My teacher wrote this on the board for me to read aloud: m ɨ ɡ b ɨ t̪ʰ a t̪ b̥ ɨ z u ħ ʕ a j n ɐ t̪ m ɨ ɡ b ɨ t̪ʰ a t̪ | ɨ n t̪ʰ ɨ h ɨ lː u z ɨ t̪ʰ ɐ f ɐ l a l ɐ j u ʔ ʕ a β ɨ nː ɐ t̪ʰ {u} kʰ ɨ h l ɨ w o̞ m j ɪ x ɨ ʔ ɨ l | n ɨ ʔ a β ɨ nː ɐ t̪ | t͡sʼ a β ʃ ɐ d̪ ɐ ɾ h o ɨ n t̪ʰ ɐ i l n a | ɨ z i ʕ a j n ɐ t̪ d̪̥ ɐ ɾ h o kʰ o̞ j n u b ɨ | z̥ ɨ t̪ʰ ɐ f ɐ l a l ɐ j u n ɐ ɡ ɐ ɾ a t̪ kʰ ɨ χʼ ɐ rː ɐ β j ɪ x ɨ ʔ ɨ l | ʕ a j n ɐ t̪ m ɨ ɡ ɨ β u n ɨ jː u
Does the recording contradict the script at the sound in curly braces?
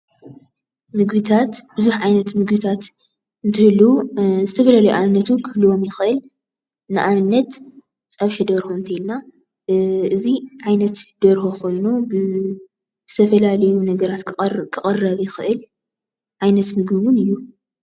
no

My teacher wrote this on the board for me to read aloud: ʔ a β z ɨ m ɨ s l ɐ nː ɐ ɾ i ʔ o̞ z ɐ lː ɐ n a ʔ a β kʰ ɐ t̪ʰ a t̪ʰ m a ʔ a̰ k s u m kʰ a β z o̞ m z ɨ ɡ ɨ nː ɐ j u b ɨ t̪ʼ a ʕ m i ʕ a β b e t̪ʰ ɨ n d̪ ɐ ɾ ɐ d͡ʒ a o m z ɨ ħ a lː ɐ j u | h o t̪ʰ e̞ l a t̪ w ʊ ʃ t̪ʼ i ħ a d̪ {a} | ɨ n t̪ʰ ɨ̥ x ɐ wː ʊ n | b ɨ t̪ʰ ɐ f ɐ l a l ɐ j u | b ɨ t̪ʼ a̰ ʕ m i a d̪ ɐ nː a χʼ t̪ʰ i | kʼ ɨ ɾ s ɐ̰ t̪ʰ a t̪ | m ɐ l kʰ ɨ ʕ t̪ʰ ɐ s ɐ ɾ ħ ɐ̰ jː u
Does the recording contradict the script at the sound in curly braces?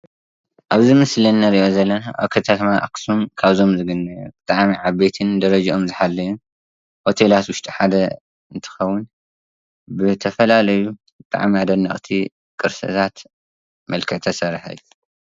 yes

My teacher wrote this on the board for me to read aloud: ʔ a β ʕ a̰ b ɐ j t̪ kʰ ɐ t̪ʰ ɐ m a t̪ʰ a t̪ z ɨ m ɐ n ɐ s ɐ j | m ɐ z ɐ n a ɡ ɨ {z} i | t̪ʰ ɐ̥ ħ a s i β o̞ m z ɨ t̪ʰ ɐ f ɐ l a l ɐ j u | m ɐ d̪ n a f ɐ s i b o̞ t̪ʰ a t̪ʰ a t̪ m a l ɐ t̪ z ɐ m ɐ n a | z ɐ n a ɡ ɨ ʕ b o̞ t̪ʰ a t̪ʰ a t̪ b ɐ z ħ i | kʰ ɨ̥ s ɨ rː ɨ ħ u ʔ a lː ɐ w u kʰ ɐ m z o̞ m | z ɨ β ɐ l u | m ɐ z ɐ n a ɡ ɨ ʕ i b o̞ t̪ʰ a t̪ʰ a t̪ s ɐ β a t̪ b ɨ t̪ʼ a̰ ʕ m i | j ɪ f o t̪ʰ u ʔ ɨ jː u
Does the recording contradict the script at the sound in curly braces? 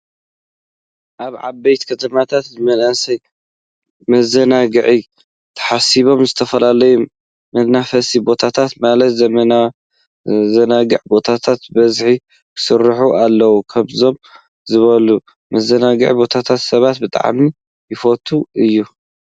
yes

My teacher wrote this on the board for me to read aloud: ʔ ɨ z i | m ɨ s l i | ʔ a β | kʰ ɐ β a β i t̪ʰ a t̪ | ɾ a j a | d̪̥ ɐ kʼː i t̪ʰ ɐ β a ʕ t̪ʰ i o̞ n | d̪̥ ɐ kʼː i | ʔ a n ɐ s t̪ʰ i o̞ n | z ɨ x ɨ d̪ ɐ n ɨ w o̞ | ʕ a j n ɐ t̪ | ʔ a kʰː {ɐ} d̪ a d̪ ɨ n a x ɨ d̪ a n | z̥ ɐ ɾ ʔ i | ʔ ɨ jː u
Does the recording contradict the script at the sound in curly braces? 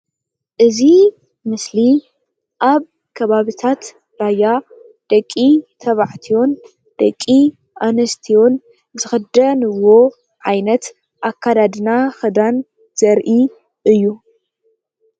yes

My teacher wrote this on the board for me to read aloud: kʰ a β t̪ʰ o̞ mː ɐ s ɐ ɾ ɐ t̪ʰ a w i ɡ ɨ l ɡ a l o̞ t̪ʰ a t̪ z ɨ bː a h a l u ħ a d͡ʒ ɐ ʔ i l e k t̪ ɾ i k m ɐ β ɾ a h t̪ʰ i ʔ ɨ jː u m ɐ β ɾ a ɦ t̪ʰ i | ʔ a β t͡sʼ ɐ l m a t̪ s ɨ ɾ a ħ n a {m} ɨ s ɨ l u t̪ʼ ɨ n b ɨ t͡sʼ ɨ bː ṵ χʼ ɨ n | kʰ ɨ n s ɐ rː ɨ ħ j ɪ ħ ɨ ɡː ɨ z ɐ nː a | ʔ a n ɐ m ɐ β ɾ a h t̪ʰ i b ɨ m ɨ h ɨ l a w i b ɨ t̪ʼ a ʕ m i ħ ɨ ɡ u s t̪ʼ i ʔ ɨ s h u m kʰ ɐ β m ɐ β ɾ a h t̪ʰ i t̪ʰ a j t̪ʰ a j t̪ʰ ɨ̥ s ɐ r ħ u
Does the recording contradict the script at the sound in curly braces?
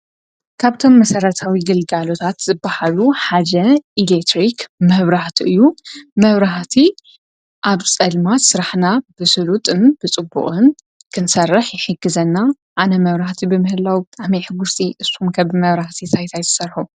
yes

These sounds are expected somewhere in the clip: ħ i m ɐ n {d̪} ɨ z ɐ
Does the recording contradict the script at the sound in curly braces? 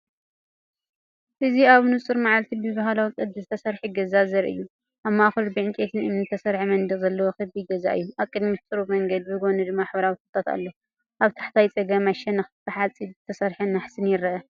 no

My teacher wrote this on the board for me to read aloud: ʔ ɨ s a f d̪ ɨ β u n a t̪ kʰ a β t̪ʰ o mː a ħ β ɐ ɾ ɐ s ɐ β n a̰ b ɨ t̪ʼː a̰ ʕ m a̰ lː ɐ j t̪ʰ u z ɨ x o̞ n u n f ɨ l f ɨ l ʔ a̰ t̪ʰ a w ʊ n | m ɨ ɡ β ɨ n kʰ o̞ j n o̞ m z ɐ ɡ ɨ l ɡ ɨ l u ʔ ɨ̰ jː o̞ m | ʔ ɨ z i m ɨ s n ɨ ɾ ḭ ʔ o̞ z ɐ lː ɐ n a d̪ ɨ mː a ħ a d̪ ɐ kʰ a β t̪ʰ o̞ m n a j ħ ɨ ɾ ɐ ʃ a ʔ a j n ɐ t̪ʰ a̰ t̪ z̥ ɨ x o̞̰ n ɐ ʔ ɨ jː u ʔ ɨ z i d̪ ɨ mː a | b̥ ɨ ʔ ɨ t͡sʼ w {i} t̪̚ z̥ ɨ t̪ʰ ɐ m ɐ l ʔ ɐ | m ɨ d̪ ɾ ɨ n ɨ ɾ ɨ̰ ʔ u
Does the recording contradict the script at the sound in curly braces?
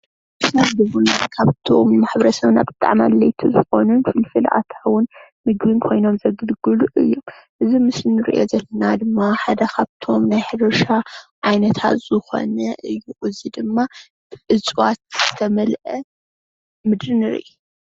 yes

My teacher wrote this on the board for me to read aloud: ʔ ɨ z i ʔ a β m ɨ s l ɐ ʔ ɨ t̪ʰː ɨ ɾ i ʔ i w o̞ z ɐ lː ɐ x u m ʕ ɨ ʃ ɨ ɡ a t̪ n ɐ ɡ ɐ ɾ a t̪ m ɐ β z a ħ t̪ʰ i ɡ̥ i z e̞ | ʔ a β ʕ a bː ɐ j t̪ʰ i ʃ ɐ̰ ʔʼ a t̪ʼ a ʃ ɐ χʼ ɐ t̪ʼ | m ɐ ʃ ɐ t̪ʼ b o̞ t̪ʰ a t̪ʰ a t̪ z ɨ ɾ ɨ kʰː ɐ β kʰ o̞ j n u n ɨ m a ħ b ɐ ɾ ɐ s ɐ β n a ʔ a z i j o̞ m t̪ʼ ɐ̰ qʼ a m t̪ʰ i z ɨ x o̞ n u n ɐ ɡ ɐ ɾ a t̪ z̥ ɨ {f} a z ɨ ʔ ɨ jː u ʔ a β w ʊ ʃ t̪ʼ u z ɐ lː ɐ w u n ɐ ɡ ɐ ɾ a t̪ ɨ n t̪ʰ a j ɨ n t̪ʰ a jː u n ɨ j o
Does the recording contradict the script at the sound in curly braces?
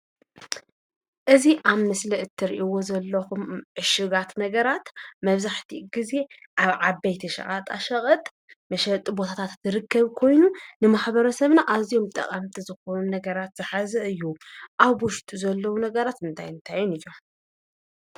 yes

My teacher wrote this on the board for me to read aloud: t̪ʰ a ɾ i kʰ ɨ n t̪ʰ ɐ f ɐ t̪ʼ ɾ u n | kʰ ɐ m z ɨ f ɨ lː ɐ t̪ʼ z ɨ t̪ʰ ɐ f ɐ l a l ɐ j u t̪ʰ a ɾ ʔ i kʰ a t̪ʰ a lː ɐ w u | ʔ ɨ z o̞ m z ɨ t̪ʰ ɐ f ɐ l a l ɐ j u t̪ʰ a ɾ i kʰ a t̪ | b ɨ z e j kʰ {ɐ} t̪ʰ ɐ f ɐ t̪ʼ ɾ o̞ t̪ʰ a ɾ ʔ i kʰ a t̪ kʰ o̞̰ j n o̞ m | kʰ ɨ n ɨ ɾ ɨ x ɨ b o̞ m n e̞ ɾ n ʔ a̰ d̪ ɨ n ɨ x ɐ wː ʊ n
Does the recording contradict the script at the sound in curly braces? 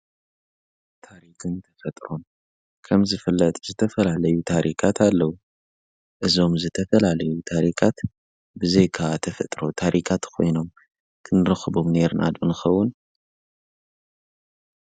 yes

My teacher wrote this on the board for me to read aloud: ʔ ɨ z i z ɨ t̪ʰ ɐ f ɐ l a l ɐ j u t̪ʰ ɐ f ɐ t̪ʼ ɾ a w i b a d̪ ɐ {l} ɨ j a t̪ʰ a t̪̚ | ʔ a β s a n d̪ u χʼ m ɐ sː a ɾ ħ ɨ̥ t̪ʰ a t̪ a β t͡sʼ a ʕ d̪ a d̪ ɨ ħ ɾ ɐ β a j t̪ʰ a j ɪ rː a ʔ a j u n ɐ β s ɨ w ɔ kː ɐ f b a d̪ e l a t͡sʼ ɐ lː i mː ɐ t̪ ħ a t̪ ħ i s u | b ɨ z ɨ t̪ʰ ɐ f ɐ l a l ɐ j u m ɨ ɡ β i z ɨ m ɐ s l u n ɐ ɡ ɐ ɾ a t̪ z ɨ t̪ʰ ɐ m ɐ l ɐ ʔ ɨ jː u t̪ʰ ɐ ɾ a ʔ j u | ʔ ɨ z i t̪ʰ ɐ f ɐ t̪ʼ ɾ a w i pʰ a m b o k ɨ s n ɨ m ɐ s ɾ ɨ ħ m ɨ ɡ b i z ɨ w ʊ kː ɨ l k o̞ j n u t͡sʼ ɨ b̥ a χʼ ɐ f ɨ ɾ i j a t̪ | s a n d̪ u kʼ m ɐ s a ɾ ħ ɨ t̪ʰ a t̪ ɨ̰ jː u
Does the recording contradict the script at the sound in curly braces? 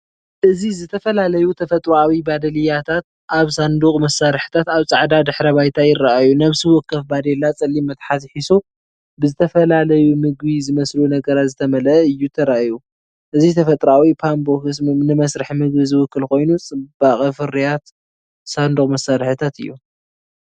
no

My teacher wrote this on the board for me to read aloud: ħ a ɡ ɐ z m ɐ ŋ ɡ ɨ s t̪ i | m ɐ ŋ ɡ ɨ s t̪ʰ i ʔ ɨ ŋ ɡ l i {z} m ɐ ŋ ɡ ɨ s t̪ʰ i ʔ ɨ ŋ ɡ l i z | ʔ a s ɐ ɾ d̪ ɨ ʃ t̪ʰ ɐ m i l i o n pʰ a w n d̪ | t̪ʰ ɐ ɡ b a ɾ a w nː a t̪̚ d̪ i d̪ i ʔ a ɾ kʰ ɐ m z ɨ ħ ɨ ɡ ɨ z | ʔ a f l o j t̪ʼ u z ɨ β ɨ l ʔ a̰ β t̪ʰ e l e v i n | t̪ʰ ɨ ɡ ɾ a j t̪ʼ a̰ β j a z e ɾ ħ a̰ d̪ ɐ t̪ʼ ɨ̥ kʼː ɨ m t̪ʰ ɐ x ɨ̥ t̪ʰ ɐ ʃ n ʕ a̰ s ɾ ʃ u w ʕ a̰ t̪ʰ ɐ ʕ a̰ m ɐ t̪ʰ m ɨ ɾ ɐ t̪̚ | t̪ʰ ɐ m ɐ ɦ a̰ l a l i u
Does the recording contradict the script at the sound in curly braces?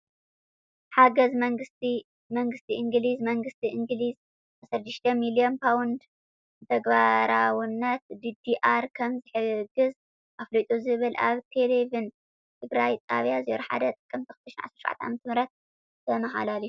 no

